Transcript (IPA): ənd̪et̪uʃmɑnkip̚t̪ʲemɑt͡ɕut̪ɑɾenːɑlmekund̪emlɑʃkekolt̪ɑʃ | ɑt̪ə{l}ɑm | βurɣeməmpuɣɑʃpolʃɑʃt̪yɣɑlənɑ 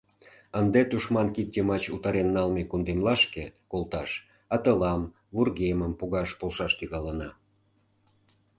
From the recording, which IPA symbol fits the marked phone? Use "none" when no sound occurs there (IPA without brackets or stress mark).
l